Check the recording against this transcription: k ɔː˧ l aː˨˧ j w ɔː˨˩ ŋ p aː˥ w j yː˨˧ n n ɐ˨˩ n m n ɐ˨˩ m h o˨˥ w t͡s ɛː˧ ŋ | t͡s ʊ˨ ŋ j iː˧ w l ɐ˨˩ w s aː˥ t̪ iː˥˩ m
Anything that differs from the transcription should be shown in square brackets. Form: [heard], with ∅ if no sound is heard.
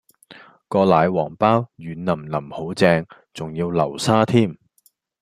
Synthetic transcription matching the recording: k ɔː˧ l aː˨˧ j w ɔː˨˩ ŋ p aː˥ w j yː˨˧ n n ɐ˨˩ [∅] m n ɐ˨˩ m h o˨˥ w t͡s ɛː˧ ŋ | t͡s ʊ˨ ŋ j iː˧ w l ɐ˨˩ w s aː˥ [t̪ʰ] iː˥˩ m